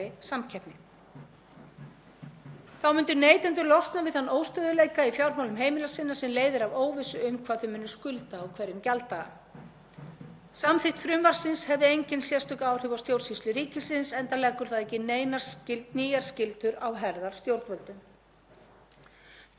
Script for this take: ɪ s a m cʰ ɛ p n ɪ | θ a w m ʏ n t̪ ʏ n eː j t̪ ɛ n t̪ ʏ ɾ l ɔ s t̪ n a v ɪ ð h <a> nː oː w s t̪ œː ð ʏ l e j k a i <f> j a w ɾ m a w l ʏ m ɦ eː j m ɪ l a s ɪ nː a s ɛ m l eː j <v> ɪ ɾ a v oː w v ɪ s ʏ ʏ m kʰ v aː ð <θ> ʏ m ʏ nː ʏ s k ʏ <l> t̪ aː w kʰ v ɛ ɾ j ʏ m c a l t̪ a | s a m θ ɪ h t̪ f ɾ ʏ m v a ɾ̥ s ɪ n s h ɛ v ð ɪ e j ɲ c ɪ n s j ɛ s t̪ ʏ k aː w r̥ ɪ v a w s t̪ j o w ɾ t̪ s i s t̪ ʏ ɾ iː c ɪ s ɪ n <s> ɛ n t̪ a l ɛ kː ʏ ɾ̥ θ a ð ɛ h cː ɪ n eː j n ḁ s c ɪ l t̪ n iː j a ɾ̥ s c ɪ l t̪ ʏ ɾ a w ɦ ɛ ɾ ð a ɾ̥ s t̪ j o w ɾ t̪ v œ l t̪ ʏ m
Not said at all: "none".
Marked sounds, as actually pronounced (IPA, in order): a, f, ð, θ, l, s

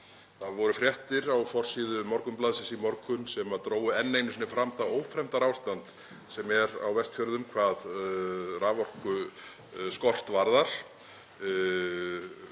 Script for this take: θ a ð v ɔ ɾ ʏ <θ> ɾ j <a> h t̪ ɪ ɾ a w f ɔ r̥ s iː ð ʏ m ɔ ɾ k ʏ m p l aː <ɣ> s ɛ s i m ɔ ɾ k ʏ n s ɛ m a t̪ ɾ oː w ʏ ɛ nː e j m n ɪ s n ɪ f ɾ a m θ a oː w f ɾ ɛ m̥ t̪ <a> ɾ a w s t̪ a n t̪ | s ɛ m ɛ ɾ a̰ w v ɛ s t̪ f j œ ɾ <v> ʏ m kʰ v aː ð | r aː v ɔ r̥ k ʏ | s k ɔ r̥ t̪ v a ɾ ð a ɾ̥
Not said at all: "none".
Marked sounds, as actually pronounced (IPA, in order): f, ɛ, ð, a, ð

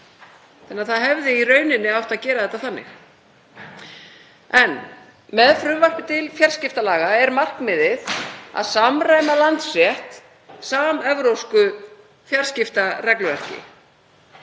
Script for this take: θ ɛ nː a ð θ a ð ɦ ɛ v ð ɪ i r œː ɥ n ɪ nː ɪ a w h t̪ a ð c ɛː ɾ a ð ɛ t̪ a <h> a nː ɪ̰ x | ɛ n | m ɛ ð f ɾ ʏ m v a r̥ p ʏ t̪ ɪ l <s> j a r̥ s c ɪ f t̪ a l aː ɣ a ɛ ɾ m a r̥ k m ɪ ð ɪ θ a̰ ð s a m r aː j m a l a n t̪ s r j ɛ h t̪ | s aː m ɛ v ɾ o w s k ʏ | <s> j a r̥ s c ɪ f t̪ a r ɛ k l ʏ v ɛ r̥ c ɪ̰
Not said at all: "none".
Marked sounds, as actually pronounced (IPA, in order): θ, f, f

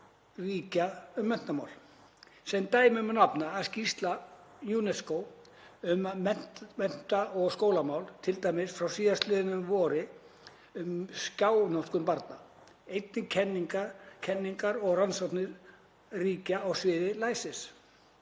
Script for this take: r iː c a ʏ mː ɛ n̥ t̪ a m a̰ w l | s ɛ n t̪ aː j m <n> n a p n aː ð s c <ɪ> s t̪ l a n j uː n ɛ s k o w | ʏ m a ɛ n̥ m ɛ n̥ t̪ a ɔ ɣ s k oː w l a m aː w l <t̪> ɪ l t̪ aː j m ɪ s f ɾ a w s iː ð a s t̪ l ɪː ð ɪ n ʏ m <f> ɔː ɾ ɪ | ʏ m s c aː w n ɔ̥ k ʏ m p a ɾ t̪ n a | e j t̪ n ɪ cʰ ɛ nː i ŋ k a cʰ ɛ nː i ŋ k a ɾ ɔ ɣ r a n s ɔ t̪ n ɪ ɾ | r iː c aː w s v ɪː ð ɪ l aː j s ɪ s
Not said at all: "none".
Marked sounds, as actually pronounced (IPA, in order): m, i, t̪ʰ, v

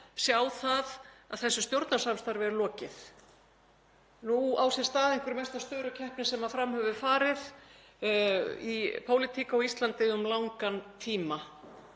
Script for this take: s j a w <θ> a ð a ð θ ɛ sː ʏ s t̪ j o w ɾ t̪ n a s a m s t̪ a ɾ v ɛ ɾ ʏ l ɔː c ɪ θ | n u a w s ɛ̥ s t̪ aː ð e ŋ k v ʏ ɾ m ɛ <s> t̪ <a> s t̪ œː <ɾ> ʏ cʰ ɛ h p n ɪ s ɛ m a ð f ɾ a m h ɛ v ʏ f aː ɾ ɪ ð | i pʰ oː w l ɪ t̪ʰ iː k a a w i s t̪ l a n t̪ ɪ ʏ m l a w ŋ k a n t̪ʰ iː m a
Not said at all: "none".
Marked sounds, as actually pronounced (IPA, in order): θ, s, a, ɾ

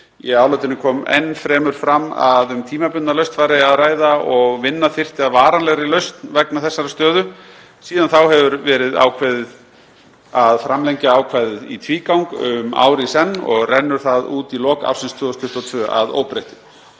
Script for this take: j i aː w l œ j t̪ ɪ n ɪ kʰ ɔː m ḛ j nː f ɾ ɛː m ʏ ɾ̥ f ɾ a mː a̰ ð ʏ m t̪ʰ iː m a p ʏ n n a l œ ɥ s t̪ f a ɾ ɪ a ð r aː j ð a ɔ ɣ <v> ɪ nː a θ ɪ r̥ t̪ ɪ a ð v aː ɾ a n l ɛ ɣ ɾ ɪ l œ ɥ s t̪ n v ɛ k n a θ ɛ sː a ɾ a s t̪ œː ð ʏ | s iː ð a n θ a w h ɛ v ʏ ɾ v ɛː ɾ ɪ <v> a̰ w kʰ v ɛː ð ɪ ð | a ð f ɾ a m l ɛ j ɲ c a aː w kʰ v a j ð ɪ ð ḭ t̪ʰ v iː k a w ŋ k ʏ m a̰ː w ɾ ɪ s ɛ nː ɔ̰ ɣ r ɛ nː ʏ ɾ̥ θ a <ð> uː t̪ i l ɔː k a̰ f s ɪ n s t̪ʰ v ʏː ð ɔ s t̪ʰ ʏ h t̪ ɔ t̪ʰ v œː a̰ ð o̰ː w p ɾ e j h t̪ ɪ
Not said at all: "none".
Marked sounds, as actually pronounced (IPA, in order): v, ð, ð

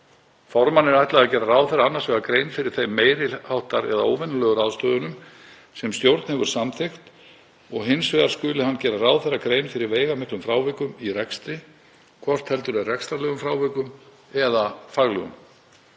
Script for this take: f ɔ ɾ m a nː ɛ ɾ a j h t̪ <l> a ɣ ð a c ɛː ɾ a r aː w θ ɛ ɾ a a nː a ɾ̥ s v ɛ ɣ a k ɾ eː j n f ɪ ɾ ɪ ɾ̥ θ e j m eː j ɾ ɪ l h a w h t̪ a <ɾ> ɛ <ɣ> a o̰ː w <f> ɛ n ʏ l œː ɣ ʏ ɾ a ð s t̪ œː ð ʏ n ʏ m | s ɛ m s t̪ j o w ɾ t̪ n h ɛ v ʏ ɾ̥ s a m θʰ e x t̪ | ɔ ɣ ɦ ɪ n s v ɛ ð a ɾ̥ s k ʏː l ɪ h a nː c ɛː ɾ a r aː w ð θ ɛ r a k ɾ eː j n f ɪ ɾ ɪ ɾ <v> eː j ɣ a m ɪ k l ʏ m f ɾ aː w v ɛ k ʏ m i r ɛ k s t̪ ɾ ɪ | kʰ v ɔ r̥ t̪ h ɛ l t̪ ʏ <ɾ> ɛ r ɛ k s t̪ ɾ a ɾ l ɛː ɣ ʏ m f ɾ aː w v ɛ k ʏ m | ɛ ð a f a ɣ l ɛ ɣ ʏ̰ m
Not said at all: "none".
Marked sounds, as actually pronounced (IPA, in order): l, ɾ, ð, v, v, ɾ

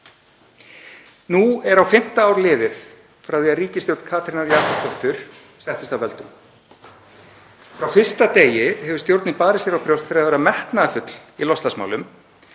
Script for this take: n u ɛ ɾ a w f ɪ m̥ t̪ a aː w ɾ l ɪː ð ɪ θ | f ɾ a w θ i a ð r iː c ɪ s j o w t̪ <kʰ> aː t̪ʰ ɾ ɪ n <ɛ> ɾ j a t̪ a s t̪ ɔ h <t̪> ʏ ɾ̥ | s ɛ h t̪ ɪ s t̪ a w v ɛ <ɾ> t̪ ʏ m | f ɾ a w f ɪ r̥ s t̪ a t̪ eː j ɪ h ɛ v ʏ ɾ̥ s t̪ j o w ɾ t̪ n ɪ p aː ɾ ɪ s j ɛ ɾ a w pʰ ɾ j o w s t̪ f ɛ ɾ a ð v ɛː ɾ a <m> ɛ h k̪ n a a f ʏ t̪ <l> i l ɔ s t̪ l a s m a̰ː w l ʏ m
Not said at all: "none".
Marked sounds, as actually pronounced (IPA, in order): kʰ, a, t̪, l, m, l

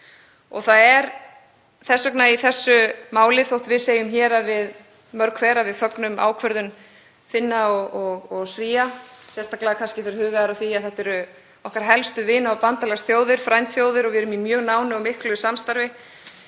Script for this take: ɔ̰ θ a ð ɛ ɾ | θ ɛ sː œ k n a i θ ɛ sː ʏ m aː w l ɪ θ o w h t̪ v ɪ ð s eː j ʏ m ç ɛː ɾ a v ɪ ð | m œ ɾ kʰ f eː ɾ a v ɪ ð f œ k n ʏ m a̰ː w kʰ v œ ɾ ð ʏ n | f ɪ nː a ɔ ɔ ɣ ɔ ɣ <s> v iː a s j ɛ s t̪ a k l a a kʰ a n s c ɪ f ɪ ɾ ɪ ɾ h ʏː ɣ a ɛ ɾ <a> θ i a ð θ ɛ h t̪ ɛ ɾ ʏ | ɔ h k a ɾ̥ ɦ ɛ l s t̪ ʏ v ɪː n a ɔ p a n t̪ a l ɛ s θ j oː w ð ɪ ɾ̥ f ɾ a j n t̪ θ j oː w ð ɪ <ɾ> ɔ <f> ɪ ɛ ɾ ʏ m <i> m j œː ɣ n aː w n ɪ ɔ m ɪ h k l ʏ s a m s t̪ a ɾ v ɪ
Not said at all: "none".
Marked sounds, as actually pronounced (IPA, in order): s, a, ɾ, v, i

